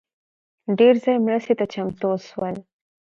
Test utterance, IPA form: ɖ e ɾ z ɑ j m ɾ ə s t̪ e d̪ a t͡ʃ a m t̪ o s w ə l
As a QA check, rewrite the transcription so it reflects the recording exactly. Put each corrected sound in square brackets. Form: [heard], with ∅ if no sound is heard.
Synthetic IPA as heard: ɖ e ɾ z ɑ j m ɾ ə s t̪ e [t̪] a t͡ʃ a m t̪ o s w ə l